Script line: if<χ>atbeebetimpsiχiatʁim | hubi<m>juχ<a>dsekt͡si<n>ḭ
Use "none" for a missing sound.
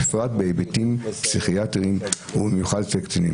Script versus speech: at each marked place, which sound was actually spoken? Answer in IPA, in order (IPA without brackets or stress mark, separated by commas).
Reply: ʁ, m, a, n